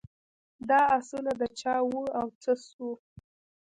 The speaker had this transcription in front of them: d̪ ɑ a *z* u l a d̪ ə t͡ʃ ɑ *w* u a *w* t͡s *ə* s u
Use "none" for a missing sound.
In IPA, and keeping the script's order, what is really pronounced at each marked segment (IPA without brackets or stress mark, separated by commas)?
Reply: s, w, w, ə